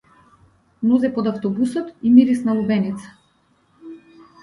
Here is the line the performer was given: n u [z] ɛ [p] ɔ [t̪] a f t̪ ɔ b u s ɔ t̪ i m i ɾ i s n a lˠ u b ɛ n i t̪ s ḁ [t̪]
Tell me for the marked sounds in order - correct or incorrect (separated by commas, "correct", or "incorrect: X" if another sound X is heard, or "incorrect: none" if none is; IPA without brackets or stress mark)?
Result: correct, correct, incorrect: d̪, incorrect: none